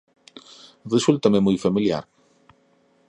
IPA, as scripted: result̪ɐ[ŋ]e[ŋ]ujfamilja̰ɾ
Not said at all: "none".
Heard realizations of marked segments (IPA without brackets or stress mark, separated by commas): m, m